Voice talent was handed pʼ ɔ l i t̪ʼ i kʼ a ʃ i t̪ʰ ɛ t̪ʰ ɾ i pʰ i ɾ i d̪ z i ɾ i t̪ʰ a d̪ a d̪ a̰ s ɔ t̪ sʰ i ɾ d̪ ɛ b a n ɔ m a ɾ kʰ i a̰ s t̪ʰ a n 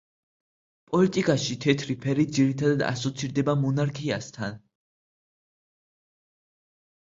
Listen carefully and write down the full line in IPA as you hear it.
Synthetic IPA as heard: pʼ ɔ l i t̪ʼ i kʼ a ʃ i t̪ʰ ɛ t̪ʰ ɾ i pʰ ɛ ɾ i d̪ z i ɾ i t̪ʰ a d̪ a d̪ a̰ s ɔ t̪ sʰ i ɾ d̪ ɛ b a m ɔ n a ɾ kʰ i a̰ s t̪ʰ a n